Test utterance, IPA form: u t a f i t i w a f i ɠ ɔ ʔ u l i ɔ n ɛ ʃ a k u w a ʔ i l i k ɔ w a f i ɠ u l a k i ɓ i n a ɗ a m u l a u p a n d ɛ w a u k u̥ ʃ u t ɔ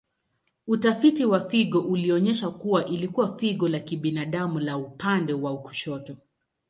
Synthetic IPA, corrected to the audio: u t a f i t i w a f i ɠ ɔ ʔ u l i ɔ ɲ ɛ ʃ a k u w a ʔ i l i k u w a f i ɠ ɔ l a k i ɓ i n a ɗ a m u l a u p a n d ɛ w a u k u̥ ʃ ɔ t ɔ